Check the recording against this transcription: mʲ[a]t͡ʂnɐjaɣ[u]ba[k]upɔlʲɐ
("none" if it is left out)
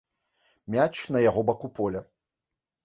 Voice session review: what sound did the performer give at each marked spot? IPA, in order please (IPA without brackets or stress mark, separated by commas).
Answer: a, ɔ, k